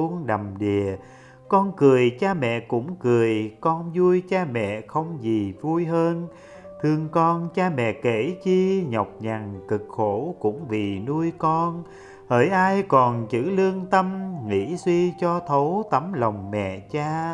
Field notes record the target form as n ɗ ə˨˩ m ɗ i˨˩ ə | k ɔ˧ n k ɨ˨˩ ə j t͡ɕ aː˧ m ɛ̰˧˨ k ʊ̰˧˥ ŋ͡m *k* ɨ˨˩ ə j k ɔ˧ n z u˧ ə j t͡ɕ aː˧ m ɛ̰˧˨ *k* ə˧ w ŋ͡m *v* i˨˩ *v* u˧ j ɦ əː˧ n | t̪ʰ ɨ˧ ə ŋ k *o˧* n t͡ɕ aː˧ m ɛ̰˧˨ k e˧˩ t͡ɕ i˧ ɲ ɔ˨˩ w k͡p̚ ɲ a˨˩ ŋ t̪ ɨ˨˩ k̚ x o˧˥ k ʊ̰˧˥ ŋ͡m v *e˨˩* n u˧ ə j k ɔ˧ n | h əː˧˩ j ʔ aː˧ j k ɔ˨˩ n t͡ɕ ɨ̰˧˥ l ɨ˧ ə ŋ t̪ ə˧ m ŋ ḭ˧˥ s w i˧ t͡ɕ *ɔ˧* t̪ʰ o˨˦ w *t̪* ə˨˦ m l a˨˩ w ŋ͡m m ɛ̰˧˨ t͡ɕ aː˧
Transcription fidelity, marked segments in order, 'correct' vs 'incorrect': correct, incorrect: x, incorrect: z, correct, incorrect: ɔ˧, incorrect: i˨˩, correct, correct

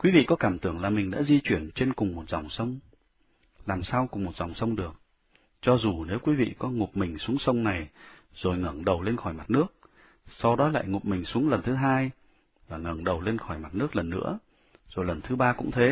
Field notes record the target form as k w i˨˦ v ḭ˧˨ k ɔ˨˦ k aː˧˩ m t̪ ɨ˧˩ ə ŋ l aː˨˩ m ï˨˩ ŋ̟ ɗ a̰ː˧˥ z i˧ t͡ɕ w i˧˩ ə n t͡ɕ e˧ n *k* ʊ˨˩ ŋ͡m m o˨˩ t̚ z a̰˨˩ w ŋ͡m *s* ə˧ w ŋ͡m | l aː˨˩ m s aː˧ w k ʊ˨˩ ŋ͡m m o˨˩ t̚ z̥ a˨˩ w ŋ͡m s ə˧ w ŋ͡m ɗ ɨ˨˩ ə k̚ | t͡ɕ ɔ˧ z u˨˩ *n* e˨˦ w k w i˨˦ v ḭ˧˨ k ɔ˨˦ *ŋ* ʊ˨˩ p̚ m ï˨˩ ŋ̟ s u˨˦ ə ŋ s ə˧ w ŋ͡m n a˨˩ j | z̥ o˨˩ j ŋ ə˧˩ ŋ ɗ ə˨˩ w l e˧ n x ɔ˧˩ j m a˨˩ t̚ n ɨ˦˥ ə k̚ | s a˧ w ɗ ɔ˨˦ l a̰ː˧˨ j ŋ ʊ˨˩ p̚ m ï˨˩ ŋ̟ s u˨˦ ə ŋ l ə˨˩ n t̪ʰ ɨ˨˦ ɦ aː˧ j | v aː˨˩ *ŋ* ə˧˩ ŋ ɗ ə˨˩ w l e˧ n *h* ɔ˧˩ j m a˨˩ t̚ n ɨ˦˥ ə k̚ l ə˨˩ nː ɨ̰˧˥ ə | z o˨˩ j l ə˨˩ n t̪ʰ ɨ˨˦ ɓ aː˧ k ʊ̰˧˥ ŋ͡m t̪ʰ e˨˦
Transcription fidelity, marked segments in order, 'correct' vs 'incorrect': correct, correct, correct, correct, correct, incorrect: x

